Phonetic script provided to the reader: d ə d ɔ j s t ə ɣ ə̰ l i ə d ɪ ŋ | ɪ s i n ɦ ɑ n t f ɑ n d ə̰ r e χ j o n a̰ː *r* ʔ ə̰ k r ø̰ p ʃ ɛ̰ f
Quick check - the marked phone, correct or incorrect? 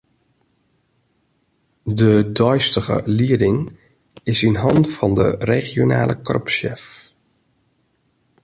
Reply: incorrect: l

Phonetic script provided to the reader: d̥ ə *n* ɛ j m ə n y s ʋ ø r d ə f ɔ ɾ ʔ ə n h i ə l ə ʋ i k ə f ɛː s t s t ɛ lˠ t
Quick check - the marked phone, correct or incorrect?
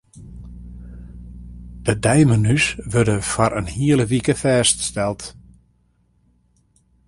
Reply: incorrect: d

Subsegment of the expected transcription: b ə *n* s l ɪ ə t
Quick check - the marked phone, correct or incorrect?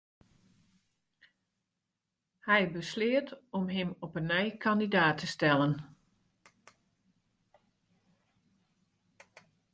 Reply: incorrect: none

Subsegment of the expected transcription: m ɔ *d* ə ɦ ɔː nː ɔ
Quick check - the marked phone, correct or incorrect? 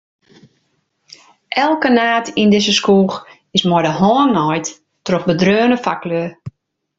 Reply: correct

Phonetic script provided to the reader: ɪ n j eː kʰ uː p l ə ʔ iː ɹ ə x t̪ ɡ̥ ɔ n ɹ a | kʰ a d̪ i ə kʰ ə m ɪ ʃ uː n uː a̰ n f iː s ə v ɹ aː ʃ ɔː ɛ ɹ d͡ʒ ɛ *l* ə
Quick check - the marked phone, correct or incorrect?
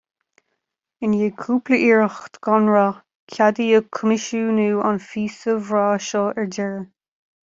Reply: incorrect: ɹ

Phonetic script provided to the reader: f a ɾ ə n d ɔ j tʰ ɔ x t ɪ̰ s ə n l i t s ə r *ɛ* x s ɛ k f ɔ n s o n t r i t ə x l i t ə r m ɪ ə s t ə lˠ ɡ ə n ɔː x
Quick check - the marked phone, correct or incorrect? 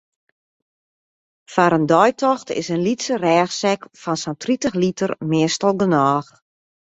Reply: incorrect: ɛː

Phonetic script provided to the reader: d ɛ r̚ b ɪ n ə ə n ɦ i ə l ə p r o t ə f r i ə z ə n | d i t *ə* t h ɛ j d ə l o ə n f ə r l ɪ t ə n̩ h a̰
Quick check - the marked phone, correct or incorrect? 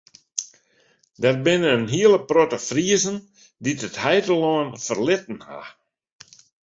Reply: correct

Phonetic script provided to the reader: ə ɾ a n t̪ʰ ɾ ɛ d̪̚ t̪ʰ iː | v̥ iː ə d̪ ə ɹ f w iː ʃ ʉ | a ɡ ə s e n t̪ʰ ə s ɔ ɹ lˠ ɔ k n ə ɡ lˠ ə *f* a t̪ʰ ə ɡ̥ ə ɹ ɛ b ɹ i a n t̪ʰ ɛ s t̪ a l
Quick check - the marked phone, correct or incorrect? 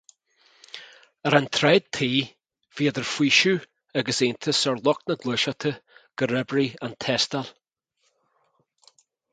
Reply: incorrect: ʃ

